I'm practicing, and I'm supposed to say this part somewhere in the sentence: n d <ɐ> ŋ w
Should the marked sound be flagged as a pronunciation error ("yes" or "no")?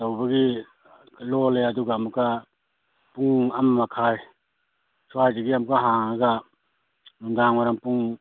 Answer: yes